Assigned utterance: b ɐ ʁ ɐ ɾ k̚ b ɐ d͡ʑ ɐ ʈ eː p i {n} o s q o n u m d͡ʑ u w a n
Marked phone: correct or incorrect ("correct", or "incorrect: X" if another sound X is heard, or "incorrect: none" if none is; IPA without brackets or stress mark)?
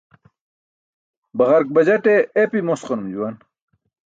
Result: incorrect: m